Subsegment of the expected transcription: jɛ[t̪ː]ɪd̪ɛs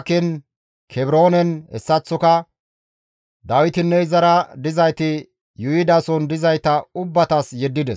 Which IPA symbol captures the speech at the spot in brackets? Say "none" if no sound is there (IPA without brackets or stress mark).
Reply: d̪ː